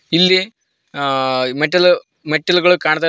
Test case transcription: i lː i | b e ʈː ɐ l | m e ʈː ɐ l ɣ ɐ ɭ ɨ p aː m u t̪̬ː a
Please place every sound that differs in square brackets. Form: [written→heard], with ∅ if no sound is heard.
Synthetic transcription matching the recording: i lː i | [b→m] e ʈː ɐ l | m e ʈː ɐ l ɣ ɐ ɭ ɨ [p→k] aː [m→ɳ] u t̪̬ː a